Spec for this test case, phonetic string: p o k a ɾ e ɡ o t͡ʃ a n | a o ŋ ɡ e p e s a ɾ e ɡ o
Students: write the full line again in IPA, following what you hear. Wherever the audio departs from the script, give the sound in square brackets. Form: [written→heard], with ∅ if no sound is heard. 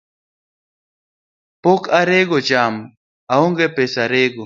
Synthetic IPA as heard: p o k a ɾ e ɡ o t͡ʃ a [n→m] | a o ŋ ɡ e p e s a ɾ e ɡ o